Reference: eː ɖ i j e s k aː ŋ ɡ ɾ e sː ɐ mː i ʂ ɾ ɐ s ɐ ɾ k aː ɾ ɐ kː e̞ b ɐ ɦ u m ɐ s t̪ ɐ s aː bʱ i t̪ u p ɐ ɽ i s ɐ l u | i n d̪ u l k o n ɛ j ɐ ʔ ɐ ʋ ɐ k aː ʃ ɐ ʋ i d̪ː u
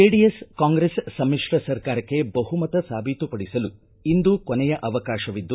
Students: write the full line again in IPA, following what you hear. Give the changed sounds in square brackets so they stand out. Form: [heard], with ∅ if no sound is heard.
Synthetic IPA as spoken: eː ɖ i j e s k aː ŋ ɡ ɾ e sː ɐ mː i ʂ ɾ ɐ s ɐ ɾ k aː ɾ ɐ kː e̞ b ɐ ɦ u m ɐ [∅] t̪ ɐ s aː bʱ i t̪ u p ɐ ɽ i s ɐ l u | i n d̪ u [∅] k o n ɛ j ɐ ʔ ɐ ʋ ɐ k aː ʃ ɐ ʋ i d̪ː u